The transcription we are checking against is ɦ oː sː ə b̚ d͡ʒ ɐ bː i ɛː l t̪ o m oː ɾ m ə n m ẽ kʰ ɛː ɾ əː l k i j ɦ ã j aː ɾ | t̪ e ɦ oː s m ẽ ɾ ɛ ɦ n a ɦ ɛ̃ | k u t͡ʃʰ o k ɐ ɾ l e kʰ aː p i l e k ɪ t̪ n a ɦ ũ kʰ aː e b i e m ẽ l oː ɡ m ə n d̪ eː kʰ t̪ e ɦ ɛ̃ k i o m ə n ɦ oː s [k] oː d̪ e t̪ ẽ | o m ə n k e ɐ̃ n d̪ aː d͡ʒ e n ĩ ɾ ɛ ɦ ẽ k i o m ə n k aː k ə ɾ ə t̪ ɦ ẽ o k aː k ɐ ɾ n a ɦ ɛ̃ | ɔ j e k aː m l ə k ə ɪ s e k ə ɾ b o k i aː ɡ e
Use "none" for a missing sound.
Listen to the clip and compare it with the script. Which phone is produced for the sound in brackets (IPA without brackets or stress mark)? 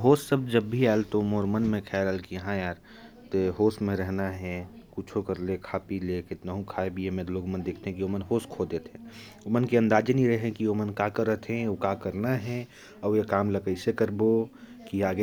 kʰ